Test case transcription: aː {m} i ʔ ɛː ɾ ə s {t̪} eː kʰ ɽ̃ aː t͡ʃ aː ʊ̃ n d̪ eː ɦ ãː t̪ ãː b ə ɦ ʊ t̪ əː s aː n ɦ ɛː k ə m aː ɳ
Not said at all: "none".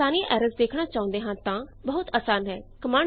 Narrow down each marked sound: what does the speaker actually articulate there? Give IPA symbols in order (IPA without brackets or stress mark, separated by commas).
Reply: n, d̪